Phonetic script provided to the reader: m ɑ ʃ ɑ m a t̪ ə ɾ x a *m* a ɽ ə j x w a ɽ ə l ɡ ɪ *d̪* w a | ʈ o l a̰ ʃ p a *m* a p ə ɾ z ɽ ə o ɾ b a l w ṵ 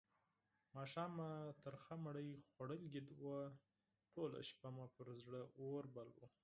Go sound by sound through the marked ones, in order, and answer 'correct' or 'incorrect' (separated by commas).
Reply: correct, correct, correct